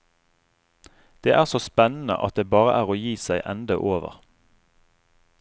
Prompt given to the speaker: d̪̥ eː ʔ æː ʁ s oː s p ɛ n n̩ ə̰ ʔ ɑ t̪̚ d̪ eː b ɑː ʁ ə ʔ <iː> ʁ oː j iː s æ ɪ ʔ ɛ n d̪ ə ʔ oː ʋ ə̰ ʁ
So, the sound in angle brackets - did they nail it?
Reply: no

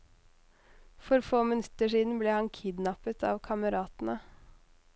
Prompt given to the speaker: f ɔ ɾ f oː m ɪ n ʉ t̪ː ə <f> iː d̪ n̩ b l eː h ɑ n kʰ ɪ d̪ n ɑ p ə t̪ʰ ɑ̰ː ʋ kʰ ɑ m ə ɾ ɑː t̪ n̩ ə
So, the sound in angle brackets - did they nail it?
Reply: no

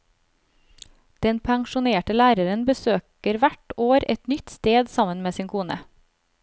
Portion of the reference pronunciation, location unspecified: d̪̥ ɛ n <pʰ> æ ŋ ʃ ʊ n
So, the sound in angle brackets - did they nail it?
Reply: yes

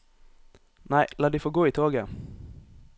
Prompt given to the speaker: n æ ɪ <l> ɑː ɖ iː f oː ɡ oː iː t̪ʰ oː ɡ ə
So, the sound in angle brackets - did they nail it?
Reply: yes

